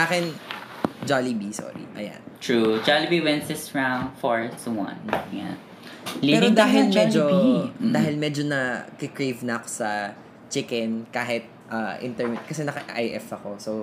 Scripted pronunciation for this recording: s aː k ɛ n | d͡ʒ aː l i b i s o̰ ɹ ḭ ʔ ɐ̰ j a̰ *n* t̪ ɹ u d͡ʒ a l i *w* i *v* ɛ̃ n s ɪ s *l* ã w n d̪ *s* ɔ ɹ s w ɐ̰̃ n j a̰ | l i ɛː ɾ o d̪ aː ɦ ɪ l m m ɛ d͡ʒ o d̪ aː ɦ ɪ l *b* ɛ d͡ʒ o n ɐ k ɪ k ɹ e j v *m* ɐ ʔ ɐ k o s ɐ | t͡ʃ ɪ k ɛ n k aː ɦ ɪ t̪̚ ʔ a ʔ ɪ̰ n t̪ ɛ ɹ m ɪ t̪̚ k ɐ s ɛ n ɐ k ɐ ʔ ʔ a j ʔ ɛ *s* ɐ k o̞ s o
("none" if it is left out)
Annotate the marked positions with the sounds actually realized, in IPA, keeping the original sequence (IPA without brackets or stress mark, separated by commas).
n, b, w, ɹ, f, m, n, f